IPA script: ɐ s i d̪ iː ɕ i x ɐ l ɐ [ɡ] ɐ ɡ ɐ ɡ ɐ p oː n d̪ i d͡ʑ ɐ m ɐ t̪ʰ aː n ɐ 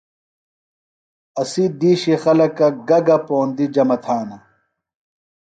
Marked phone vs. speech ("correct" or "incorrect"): incorrect